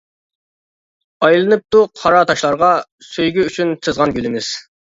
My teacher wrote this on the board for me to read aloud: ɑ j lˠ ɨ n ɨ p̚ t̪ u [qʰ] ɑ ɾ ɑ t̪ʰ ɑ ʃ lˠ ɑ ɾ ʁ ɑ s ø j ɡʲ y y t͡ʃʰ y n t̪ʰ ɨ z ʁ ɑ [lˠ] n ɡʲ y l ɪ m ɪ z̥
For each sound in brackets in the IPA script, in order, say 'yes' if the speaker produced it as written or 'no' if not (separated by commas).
yes, no